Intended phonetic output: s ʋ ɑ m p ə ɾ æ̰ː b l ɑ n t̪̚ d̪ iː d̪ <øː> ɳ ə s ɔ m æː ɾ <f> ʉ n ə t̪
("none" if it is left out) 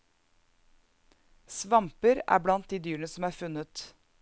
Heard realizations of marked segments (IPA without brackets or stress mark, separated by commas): yː, f